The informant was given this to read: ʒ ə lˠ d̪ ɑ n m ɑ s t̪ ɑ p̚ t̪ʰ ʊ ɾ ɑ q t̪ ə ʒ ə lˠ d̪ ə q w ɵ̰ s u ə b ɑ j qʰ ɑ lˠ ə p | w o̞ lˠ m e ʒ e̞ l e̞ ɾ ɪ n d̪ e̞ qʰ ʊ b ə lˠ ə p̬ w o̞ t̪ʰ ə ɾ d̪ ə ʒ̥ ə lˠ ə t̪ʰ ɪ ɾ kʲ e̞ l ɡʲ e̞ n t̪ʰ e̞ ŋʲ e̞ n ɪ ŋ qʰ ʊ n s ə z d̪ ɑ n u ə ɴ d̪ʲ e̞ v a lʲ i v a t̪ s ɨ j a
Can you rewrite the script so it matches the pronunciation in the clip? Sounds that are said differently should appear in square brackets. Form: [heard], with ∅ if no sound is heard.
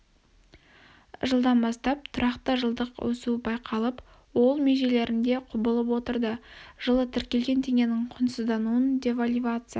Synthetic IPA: ʒ ə lˠ d̪ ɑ n [b] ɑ s t̪ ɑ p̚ t̪ʰ ʊ ɾ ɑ q t̪ ə ʒ ə lˠ d̪ ə q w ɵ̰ s u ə b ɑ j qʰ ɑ lˠ ə p | w o̞ lˠ m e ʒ e̞ l e̞ ɾ ɪ n d̪ e̞ qʰ ʊ b ə lˠ ə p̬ w o̞ [t̪] ə ɾ d̪ ə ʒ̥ ə lˠ ə t̪ʰ ɪ ɾ kʲ e̞ l ɡʲ e̞ n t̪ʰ e̞ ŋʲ e̞ n ɪ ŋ qʰ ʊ n s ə z d̪ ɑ n u ə [n] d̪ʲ e̞ v a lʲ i v a t̪ s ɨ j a

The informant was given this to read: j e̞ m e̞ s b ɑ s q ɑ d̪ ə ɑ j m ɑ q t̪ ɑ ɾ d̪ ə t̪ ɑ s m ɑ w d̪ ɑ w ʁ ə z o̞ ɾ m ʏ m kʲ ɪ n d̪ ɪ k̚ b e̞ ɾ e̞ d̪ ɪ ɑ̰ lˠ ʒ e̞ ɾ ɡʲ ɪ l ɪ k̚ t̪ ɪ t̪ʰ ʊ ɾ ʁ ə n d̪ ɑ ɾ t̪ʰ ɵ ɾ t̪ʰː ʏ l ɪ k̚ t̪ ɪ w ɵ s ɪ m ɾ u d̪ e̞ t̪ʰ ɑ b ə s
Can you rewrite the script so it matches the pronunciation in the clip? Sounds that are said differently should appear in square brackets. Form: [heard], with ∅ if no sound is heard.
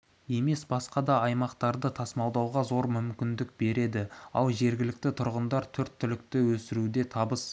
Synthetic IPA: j e̞ m e̞ s b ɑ s q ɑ d̪ [ɑ] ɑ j m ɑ q t̪ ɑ ɾ d̪ ə [t̪ʰ] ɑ s m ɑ w d̪ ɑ w ʁ [ɑ] z o̞ ɾ m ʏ m kʲ ɪ n d̪ ɪ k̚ b e̞ ɾ e̞ d̪ ɪ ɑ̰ lˠ ʒ e̞ ɾ ɡʲ ɪ l ɪ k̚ t̪ ɪ t̪ʰ ʊ ɾ ʁ ə n d̪ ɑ ɾ t̪ʰ ɵ ɾ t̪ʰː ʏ l ɪ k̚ t̪ ɪ w ɵ s ɪ [∅] ɾ u d̪ e̞ t̪ʰ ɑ b ə s

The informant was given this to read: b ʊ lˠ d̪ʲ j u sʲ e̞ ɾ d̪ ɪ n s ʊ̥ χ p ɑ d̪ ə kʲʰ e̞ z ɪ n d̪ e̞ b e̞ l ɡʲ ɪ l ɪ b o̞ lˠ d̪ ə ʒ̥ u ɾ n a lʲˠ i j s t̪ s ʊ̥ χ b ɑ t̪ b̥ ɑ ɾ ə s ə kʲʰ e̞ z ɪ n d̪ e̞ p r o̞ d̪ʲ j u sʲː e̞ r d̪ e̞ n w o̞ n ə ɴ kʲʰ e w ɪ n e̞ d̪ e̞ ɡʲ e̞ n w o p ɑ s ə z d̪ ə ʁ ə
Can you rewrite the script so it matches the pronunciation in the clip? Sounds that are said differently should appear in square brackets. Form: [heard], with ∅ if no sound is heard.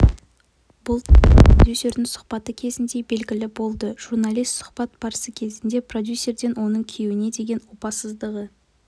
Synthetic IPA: b ʊ lˠ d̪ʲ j u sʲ e̞ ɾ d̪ ɪ [ŋ] s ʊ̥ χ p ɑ [t̪] ə kʲʰ e̞ z ɪ n d̪ e̞ b e̞ l ɡʲ ɪ l ɪ b o̞ lˠ d̪ ə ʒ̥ u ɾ n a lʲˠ i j s t̪ s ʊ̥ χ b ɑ t̪ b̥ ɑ ɾ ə s ə kʲʰ e̞ z ɪ n d̪ e̞ p r o̞ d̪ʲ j u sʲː e̞ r d̪ e̞ n w o̞ n ə ɴ kʲʰ e w ɪ n e̞ d̪ e̞ ɡʲ e̞ n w o p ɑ s ə z d̪ ə ʁ ə

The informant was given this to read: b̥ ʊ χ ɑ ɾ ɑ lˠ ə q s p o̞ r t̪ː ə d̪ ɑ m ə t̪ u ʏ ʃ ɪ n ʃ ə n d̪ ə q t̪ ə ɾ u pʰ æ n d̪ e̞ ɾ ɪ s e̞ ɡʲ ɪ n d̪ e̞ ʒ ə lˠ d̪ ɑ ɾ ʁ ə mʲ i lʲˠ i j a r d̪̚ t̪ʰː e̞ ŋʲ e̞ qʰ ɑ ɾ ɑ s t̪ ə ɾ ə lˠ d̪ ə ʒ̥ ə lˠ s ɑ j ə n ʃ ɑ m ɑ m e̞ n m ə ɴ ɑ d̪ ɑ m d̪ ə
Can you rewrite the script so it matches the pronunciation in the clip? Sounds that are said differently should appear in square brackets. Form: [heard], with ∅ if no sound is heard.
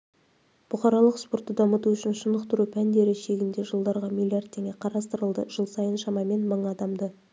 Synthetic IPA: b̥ ʊ χ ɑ ɾ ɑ lˠ ə q s p o̞ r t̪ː ə d̪ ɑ m ə t̪ u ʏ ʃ ɪ n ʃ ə n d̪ ə q t̪ ə ɾ u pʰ æ n d̪ e̞ ɾ ɪ [ʃ] e̞ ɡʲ ɪ n d̪ e̞ ʒ ə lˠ d̪ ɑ ɾ ʁ [ɑ] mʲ i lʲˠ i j a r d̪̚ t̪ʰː e̞ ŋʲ e̞ qʰ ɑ ɾ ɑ s t̪ ə ɾ ə lˠ d̪ ə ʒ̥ ə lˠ s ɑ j ə n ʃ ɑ m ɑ m e̞ n m ə ɴ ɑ d̪ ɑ m d̪ ə

